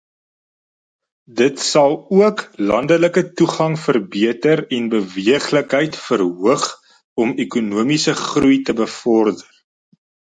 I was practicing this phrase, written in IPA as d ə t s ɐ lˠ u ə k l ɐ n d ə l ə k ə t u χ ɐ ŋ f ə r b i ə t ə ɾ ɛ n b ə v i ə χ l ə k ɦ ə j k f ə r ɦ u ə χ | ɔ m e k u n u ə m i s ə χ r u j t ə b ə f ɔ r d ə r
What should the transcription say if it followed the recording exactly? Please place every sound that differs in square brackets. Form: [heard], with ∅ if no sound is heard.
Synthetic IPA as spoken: d ə t s ɐ lˠ u ə k l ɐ n d ə l ə k ə t u χ ɐ ŋ f ə r b i ə t ə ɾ ɛ n b ə v i ə χ l ə k ɦ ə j [t] f ə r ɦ u ə χ | ɔ m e k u n u ə m i s ə χ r u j t ə b ə f ɔ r d ə r